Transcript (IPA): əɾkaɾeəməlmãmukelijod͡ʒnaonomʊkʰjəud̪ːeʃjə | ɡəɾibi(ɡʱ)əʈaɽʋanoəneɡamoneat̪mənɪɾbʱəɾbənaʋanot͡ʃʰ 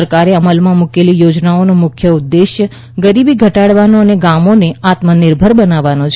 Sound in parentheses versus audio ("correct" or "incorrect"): correct